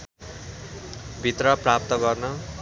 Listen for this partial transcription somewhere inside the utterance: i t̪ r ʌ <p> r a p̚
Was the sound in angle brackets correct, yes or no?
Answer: yes